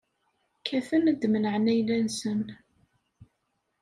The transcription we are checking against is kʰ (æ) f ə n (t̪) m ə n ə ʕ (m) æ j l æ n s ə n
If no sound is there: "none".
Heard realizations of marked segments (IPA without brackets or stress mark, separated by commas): æ, d̪, n